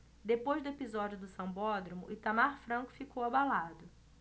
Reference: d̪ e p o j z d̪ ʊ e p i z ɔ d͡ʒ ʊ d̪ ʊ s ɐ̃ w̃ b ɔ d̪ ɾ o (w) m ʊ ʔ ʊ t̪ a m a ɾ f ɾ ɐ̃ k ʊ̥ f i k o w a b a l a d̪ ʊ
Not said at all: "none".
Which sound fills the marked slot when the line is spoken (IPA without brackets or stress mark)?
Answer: none